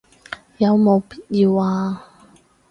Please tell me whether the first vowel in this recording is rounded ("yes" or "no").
no